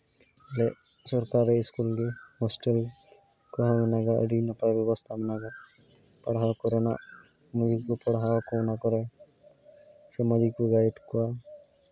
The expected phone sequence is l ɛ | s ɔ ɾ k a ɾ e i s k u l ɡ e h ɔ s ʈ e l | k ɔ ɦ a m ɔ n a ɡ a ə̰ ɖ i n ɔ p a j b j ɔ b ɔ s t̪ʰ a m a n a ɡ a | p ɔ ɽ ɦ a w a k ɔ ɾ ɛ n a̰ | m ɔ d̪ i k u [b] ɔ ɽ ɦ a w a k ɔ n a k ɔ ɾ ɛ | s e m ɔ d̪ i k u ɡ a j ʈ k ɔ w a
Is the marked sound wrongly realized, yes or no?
yes